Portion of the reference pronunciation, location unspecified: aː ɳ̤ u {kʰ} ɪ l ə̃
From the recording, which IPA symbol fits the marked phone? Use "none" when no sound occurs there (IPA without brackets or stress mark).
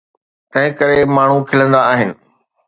kʰ